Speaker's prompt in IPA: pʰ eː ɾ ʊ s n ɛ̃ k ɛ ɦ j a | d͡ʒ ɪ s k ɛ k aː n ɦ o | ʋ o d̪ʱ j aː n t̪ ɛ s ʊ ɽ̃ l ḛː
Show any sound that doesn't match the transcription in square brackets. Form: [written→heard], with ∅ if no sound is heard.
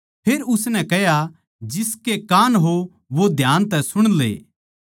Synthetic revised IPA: pʰ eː ɾ ʊ s n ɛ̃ k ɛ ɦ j a | d͡ʒ ɪ s k [ɛ→e] k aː n ɦ o | ʋ o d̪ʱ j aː n t̪ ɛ s ʊ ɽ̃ l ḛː